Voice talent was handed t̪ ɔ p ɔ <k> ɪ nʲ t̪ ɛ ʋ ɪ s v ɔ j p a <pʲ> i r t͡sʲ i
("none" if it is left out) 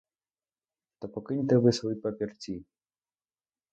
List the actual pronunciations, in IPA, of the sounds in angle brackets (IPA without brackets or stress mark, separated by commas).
k, pʲ